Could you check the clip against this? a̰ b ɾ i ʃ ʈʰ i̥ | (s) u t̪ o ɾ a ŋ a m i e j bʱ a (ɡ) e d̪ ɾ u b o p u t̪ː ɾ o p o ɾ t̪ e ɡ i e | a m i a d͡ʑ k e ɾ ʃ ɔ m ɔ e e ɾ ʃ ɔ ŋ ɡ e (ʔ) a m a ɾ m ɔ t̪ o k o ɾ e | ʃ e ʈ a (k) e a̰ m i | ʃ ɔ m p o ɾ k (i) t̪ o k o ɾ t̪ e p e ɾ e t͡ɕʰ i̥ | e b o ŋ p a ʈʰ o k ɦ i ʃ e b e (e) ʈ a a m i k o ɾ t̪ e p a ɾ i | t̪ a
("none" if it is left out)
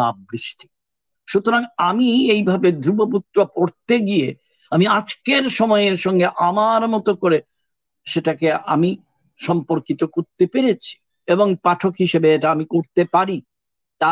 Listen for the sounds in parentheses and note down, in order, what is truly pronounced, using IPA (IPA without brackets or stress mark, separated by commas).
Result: ʃ, b, ʔ, k, i, e